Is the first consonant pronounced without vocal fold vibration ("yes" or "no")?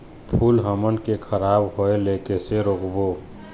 yes